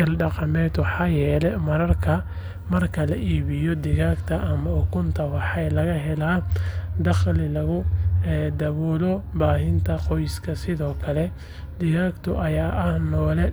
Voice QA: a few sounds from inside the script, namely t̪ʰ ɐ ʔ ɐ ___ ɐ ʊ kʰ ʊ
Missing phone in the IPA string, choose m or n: m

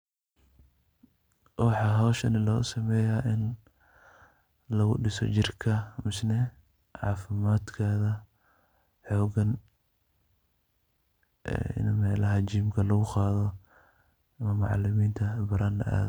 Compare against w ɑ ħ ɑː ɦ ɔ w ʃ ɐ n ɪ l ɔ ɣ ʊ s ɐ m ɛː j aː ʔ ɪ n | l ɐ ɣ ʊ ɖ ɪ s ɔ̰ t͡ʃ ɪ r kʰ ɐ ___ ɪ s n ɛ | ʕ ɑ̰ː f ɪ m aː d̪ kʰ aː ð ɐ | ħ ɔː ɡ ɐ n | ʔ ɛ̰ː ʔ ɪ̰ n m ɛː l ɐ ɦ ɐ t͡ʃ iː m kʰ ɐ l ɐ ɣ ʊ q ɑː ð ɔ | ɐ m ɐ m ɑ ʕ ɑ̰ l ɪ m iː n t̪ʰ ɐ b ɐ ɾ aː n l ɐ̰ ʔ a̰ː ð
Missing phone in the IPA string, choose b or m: m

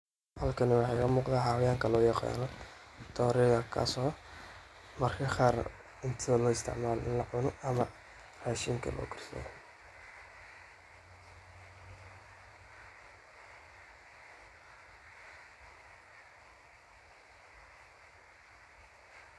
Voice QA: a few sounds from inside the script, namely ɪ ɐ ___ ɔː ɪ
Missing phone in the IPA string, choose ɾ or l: l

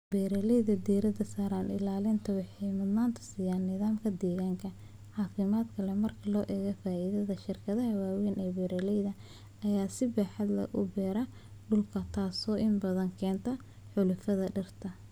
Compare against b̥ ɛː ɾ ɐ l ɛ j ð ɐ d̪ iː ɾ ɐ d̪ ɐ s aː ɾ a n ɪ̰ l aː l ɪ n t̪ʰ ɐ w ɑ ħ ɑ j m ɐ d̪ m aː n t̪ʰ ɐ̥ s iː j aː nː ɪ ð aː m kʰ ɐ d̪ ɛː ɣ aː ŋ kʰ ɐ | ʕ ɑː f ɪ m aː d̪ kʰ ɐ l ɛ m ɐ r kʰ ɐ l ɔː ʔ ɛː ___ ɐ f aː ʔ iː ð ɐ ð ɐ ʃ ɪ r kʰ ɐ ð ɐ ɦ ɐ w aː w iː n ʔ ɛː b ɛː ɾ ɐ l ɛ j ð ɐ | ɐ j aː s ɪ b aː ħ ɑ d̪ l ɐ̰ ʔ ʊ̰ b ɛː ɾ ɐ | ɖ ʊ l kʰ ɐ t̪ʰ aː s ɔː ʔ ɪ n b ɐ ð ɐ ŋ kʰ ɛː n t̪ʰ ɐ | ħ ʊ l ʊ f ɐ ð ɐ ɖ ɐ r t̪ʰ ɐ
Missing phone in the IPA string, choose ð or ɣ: ɣ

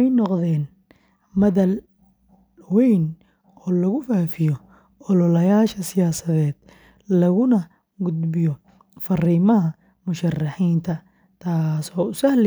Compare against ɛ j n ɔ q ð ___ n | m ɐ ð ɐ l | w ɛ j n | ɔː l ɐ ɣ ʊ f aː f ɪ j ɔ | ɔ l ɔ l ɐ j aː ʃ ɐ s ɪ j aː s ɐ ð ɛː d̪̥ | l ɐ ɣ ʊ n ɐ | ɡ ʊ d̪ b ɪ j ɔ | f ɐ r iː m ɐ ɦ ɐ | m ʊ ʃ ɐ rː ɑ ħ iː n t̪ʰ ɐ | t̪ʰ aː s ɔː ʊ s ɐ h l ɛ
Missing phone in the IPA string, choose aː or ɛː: ɛː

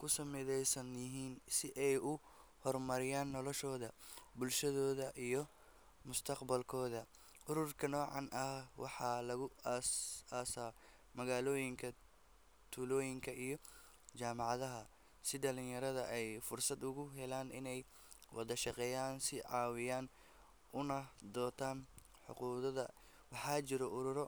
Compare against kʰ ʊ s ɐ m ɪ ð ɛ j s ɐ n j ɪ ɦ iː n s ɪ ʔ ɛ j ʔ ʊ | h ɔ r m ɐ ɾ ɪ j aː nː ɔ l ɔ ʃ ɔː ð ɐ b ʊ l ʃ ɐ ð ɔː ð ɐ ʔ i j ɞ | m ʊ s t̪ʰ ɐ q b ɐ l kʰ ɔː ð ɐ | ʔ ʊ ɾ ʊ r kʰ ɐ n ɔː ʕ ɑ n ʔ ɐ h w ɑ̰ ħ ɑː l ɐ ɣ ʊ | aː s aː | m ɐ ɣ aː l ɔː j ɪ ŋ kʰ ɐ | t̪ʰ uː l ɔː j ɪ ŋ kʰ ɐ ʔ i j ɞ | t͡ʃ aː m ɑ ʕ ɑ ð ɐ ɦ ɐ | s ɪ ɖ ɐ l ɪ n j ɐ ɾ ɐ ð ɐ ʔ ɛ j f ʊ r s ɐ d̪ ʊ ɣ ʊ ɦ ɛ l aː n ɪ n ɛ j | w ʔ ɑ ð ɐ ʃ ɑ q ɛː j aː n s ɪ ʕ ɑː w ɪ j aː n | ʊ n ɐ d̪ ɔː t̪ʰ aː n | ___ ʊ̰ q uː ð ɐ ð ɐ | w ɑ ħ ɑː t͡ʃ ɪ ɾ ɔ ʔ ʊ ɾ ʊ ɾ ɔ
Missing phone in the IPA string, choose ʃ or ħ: ħ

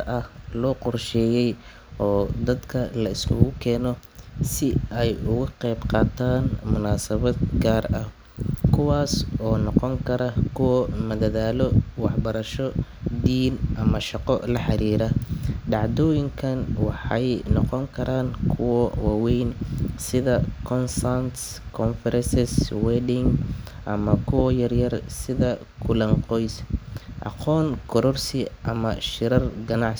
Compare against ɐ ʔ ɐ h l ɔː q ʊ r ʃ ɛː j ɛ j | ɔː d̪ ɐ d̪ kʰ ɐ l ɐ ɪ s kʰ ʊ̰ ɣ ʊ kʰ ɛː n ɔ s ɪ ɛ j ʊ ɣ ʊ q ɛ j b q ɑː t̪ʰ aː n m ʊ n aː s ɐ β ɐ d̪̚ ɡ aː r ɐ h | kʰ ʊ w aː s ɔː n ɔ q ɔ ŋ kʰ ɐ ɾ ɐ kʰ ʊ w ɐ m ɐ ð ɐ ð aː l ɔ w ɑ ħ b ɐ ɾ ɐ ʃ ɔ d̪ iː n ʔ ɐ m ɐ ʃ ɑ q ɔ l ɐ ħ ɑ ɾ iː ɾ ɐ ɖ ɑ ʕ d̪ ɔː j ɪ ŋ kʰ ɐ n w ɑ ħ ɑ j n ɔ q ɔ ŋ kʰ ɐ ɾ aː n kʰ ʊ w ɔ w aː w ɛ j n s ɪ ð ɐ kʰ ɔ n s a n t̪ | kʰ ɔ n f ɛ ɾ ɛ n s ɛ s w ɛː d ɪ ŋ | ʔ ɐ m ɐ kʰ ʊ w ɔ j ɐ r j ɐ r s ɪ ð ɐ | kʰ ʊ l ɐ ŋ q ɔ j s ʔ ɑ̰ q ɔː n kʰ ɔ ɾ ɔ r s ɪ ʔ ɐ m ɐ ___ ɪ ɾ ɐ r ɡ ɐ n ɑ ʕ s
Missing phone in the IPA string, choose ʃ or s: ʃ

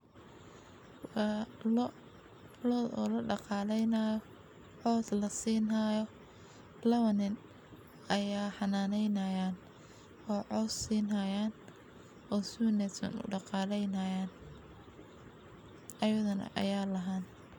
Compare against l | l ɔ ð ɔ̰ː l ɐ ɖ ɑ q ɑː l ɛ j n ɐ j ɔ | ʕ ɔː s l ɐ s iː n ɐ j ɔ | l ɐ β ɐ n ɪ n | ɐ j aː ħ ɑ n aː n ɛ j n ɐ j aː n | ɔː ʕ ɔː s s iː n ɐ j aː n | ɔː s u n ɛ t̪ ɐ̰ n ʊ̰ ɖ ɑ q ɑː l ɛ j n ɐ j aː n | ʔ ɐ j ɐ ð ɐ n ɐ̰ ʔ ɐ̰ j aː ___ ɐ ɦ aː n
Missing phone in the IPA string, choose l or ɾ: l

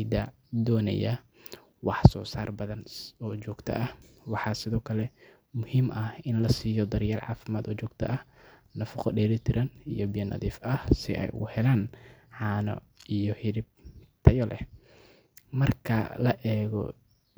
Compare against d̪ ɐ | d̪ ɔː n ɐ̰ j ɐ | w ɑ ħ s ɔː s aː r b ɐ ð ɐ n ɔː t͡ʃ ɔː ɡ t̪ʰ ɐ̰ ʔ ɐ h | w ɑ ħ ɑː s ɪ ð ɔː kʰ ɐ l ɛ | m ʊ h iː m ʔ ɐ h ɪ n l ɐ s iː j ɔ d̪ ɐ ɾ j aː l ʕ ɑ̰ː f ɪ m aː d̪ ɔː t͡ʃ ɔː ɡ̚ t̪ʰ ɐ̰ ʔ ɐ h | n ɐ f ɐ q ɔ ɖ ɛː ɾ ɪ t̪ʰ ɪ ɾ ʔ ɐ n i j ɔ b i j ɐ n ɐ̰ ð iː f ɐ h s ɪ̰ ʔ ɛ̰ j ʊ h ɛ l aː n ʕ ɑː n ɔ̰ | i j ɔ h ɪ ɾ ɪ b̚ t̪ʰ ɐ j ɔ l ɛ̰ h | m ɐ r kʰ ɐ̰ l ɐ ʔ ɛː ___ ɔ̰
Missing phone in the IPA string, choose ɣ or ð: ɣ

